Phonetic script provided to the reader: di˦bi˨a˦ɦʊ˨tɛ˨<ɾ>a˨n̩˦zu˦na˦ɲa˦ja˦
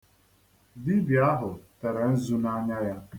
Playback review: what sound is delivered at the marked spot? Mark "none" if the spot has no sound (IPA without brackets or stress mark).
ɾ